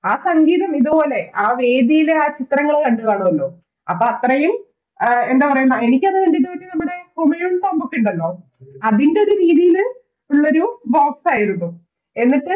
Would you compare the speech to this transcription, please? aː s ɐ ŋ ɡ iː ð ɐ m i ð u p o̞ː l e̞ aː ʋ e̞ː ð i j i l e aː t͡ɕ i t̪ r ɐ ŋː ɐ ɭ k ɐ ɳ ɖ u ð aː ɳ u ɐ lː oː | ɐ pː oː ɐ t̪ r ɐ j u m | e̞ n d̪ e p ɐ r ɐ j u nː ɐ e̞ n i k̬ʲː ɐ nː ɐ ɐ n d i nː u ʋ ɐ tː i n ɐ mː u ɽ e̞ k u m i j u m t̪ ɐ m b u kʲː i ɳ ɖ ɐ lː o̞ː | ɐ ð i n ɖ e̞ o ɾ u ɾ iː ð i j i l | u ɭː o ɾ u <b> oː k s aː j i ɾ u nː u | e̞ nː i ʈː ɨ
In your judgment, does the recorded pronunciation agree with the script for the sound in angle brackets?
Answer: yes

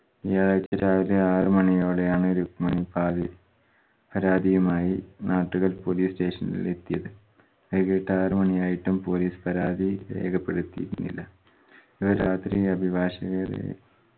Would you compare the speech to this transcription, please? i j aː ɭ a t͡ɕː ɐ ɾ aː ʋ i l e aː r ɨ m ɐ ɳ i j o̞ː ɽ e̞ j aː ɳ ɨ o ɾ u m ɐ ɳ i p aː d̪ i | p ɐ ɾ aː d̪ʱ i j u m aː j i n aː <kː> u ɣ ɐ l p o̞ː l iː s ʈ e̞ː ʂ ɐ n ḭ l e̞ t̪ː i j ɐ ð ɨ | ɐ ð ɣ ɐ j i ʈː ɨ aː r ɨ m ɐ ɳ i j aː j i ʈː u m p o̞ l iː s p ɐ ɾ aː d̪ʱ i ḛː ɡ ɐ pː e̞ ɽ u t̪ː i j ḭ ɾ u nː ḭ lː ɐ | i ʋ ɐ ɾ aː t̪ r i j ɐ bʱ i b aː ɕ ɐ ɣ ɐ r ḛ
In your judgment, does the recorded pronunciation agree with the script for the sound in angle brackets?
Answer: no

